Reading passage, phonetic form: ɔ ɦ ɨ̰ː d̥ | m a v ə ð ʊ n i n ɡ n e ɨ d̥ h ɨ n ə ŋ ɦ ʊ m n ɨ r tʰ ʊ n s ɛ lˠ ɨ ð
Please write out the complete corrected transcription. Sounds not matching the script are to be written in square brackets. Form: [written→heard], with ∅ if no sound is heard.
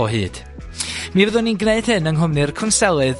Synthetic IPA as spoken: ɔ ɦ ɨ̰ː d̥ | m [a→i] v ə ð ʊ n i n ɡ n e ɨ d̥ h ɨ n ə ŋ ɦ ʊ m n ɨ r [tʰ→kʰ] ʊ n s ɛ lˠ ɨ ð